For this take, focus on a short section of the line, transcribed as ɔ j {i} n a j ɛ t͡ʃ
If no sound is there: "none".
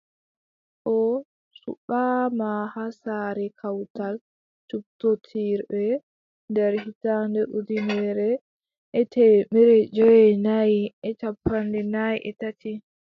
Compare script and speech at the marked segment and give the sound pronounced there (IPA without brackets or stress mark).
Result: ɛ